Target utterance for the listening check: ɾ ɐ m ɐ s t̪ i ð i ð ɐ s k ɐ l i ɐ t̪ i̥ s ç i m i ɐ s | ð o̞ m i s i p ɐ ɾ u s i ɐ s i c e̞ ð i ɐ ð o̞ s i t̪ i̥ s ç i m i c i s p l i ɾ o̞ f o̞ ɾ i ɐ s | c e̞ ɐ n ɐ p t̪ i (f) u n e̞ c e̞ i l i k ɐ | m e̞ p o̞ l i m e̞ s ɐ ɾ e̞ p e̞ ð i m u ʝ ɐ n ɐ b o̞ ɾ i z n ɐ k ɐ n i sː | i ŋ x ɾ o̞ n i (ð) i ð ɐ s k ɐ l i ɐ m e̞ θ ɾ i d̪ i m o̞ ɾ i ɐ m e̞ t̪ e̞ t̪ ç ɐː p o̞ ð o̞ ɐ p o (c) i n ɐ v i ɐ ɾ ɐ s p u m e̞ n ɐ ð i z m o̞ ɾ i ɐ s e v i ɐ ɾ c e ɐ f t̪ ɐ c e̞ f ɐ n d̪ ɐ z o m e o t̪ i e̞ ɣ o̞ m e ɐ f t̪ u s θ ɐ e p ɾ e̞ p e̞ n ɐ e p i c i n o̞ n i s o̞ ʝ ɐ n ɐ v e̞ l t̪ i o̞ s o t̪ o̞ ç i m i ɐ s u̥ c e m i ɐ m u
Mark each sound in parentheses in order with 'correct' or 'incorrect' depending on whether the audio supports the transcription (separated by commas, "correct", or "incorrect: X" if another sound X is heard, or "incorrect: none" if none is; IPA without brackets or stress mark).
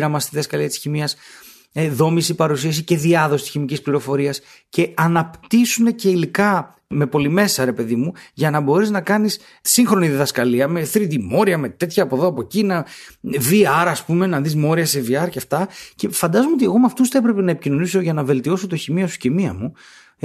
incorrect: s, correct, correct